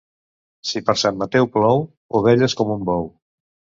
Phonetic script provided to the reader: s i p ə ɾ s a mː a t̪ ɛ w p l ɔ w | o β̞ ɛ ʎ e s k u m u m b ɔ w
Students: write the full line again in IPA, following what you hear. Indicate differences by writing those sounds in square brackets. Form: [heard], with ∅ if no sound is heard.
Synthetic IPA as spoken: s i p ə ɾ s a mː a t̪ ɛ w p l ɔ w | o β̞ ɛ ʎ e s k [ɔ] m u m b ɔ w

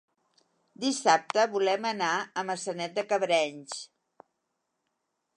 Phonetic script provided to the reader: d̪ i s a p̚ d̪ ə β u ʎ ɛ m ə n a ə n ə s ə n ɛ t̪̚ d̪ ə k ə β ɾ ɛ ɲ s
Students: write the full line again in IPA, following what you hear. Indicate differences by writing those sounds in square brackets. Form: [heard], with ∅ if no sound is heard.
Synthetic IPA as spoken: d̪ i s a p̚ [t̪] ə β u [l] ɛ m ə n a ə [m] ə s ə n ɛ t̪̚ d̪ ə k ə β ɾ ɛ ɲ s

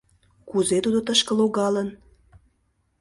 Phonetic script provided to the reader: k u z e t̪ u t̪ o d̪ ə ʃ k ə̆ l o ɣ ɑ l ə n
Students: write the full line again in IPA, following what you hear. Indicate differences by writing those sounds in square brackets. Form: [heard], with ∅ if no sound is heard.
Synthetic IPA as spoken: k u z e t̪ u [d̪] o [t̪] ə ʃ k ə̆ l o ɣ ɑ l ə n

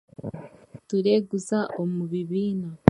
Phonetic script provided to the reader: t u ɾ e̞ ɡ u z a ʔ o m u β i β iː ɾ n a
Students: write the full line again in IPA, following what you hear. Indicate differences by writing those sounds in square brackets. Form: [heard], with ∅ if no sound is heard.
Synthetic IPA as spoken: t u ɾ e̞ ɡ u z a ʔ o m u β i β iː [∅] n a

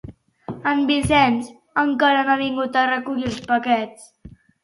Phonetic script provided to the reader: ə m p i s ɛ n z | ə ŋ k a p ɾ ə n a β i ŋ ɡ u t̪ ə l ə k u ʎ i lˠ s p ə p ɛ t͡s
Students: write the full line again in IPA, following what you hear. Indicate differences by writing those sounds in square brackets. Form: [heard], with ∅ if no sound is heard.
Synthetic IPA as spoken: ə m [b] i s ɛ n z | ə ŋ k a [∅] ɾ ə n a β i ŋ ɡ u t̪ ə [r] ə k u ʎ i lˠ s p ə [k] ɛ t͡s

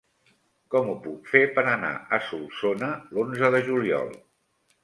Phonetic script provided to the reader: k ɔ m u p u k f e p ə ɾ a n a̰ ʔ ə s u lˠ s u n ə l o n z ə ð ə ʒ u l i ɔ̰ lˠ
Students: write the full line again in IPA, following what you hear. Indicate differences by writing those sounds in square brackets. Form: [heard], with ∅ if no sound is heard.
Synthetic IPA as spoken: k ɔ m u p u k f e p ə ɾ [ə] n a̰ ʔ ə s u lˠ s [o] n ə l o n z ə ð ə ʒ u l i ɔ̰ lˠ

